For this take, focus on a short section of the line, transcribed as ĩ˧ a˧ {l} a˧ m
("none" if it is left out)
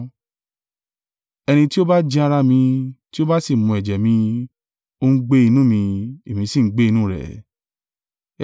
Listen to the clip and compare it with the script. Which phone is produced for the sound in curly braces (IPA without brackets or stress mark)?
ɾ